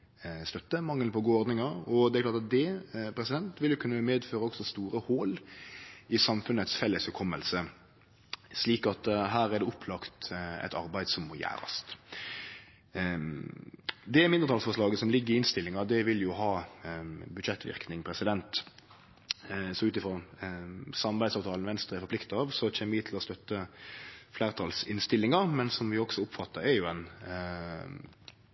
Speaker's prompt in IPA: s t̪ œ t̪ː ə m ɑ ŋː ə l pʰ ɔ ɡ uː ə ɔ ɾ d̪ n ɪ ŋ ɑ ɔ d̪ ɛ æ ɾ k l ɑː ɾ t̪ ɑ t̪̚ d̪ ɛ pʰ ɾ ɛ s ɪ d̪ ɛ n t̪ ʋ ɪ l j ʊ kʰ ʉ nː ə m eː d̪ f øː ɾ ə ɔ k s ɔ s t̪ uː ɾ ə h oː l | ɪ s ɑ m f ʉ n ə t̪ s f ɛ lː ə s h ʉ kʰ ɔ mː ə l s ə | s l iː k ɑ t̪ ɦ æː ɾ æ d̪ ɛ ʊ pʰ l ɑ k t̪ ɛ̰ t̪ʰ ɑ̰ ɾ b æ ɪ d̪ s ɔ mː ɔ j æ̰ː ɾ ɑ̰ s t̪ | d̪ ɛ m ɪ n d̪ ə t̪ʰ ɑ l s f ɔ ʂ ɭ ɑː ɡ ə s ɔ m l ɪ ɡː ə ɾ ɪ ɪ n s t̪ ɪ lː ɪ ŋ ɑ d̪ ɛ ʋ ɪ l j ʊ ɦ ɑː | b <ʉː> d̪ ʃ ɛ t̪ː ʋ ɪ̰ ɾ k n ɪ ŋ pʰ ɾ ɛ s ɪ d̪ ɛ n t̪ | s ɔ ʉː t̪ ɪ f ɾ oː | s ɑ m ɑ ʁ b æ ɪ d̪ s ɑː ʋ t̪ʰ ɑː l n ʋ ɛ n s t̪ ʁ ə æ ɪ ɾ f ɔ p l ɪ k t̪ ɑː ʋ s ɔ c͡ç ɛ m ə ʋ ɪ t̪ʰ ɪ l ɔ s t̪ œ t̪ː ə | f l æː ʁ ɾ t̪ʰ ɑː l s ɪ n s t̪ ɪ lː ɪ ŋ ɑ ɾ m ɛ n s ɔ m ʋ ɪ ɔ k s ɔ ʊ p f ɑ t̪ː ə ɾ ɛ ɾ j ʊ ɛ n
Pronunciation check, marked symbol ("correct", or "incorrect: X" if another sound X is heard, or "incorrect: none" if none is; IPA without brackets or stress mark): incorrect: ʉ